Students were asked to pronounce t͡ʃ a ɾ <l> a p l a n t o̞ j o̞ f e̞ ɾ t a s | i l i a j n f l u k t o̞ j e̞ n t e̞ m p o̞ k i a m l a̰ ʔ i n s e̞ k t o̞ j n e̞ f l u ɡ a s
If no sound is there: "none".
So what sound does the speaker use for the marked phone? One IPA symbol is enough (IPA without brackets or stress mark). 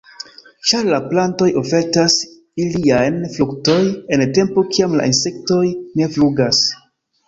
l